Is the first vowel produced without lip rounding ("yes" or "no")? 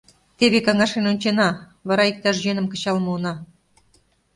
yes